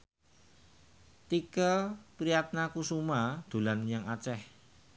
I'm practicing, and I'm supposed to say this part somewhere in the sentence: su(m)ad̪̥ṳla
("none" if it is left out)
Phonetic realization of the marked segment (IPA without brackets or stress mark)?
m